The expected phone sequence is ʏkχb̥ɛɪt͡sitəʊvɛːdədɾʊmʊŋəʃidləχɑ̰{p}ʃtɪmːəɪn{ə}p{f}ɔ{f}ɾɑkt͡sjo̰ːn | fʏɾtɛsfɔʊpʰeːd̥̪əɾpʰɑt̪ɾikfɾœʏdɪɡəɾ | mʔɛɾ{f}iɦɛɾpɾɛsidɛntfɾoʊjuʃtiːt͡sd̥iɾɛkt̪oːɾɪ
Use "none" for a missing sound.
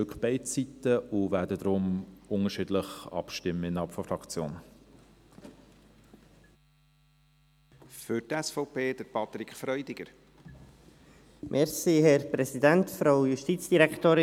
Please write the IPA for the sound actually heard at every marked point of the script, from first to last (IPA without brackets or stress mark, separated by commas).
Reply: p, ɑ, f, f, s